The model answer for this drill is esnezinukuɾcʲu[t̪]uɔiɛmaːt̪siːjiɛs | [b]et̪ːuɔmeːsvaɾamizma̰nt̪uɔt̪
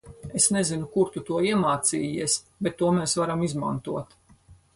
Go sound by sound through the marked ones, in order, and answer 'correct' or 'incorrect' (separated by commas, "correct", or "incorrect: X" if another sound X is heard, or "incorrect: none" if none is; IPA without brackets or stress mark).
correct, correct